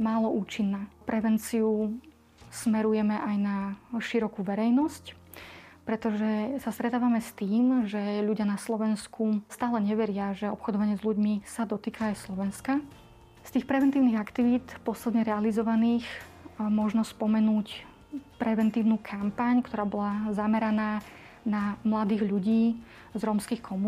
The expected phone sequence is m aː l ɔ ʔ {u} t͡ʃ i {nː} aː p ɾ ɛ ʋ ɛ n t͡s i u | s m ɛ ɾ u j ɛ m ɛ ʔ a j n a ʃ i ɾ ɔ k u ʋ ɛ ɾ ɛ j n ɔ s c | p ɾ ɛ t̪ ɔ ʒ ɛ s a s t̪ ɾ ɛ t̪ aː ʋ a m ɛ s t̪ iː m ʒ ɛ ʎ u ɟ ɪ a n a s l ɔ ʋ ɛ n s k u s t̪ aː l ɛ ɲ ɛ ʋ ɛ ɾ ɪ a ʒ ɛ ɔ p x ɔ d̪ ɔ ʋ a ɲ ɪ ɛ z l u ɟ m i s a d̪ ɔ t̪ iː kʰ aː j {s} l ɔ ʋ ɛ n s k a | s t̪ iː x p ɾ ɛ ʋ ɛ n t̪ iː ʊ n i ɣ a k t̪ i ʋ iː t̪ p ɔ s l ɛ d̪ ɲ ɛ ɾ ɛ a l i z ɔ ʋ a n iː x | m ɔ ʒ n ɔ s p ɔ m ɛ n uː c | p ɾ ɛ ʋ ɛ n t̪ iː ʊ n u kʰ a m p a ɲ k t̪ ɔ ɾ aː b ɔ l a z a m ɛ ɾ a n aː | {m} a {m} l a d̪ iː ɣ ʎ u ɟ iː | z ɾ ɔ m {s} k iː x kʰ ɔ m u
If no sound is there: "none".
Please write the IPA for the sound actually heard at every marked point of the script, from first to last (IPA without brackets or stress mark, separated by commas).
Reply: uː, nː, s, n, m, s